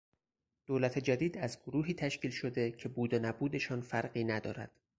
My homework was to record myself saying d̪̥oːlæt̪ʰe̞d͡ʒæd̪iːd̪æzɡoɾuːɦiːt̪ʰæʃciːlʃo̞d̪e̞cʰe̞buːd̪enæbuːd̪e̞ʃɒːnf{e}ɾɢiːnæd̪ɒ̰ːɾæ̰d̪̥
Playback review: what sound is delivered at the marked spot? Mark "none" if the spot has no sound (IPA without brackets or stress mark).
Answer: æ